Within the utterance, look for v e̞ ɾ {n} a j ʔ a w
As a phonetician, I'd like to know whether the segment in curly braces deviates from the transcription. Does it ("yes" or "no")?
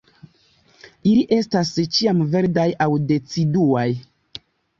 yes